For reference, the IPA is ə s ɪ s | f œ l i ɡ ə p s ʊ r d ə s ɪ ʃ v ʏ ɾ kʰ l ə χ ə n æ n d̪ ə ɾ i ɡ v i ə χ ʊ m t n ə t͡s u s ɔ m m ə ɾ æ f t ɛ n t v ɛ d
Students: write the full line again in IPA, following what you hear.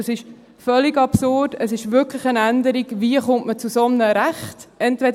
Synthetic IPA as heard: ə s ɪ ʃ | f œ l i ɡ ɑ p s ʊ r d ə s ɪ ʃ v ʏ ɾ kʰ l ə χ ə n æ n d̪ ə ɾ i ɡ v i ə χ ʊ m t m ə t͡s u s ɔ m n ə ɾ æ χ t ɛ n t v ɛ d